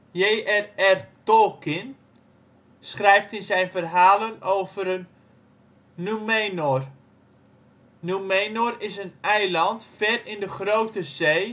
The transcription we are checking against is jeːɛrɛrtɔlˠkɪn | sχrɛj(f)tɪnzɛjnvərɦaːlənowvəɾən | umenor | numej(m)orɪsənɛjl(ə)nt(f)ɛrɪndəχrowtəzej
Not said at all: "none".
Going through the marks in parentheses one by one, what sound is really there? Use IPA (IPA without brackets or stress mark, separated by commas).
f, n, ɑ, f